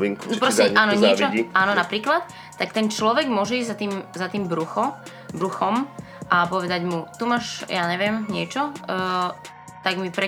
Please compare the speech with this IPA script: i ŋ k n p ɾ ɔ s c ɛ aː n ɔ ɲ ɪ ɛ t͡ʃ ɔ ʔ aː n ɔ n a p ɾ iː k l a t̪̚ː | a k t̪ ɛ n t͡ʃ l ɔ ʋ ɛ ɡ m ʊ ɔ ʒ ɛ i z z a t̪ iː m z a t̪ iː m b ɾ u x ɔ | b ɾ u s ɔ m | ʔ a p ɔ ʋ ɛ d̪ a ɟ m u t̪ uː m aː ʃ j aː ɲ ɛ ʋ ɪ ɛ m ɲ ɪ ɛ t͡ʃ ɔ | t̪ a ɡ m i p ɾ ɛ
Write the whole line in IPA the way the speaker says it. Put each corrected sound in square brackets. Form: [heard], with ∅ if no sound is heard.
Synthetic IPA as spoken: i ŋ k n p ɾ ɔ s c ɛ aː n ɔ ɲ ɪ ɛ t͡ʃ ɔ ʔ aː n ɔ n a p ɾ iː k l a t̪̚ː | a k t̪ ɛ n t͡ʃ l ɔ ʋ ɛ ɡ m ʊ ɔ ʒ ɛ i z z a t̪ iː m z a t̪ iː m b ɾ u x ɔ | b ɾ u [x] ɔ m | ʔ a p ɔ ʋ ɛ d̪ a ɟ m u t̪ [u] m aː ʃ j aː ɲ ɛ ʋ ɪ ɛ m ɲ ɪ ɛ t͡ʃ ɔ | t̪ a ɡ m i p ɾ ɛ